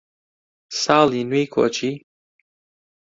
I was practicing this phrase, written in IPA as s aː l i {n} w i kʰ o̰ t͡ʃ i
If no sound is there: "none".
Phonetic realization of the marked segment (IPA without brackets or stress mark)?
n